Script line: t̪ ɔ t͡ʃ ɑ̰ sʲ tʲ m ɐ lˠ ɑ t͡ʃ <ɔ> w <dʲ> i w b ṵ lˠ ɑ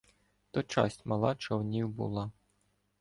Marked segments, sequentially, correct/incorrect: correct, incorrect: nʲ

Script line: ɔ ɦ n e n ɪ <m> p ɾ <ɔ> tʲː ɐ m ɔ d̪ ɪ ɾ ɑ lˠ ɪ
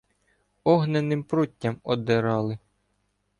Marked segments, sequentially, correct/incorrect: correct, incorrect: u

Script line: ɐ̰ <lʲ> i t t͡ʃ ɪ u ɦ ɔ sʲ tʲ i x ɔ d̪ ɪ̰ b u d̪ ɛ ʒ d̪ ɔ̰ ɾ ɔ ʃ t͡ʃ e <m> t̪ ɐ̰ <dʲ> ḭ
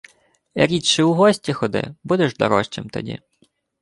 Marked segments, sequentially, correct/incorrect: incorrect: ɾʲ, correct, correct

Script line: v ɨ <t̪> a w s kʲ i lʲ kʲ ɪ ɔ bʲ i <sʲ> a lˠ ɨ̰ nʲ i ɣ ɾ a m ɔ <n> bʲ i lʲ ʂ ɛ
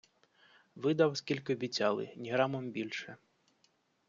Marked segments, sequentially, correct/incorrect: incorrect: d̪, incorrect: t͡sʲ, incorrect: m

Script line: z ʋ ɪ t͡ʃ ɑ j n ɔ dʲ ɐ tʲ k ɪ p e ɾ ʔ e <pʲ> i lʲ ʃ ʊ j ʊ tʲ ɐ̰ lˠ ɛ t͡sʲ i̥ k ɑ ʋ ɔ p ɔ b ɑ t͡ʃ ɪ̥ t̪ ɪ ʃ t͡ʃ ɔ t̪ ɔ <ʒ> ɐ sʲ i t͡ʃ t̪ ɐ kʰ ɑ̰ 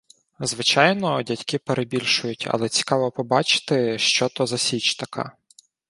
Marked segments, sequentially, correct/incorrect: incorrect: bʲ, incorrect: z

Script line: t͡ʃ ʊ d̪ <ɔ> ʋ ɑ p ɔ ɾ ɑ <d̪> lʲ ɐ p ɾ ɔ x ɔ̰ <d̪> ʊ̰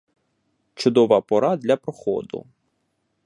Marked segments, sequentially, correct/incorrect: correct, correct, correct

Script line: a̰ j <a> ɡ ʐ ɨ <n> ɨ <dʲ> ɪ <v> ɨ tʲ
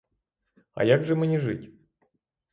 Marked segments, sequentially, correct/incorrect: correct, incorrect: m, incorrect: nʲ, incorrect: ʐ

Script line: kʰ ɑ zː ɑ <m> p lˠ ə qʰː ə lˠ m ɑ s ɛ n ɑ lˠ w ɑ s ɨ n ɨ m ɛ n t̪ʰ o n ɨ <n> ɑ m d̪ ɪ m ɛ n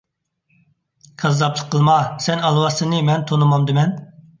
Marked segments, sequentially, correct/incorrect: incorrect: none, incorrect: m

